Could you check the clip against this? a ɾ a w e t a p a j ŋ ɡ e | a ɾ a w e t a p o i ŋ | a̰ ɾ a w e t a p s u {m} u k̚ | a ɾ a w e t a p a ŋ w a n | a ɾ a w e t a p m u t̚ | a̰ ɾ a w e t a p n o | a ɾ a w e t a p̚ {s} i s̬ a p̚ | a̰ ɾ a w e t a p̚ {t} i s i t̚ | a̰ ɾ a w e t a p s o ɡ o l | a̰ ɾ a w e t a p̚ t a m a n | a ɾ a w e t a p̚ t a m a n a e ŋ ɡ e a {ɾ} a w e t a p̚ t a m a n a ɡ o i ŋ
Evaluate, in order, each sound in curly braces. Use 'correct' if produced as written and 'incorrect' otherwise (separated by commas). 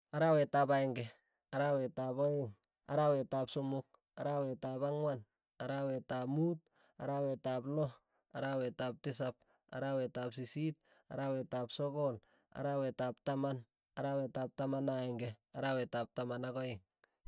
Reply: correct, incorrect, incorrect, correct